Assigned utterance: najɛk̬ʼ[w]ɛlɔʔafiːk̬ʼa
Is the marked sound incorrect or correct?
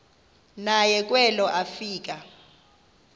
correct